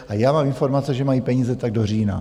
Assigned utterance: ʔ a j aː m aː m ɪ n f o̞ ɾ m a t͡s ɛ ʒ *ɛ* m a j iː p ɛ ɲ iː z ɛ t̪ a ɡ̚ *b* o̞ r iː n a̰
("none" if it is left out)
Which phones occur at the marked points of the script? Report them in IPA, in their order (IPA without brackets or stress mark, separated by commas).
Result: ɛ, d